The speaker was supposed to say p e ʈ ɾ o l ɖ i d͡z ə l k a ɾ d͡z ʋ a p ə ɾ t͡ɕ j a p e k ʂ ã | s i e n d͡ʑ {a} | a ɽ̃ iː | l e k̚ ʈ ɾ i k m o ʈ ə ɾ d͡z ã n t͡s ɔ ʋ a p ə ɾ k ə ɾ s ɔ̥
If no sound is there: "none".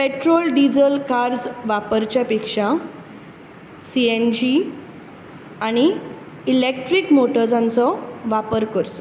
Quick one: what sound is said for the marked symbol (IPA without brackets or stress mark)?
i